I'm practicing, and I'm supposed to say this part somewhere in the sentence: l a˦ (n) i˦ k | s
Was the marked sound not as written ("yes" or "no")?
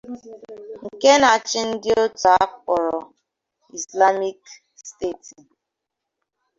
yes